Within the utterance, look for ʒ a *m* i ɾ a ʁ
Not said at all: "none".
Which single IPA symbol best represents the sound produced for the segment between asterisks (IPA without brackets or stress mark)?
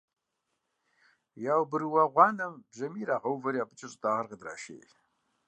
m